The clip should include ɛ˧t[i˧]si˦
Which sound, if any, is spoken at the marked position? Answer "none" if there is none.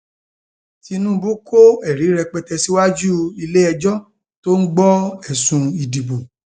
ɛ˧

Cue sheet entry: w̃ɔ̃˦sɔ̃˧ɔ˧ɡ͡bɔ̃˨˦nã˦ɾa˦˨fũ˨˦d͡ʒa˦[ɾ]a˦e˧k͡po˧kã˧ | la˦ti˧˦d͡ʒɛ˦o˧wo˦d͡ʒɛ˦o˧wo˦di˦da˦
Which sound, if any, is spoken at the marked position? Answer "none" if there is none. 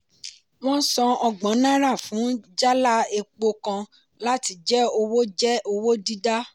l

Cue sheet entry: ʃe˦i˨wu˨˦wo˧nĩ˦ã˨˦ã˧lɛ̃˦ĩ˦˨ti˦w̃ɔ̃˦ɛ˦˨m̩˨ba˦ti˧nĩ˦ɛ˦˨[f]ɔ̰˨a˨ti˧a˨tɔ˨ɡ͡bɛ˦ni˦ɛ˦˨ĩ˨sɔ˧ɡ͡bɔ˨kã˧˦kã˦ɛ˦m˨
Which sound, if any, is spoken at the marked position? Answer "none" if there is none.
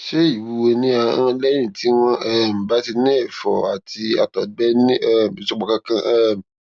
f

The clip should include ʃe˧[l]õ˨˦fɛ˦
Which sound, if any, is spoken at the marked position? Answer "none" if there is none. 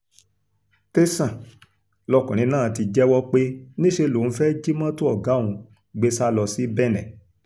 l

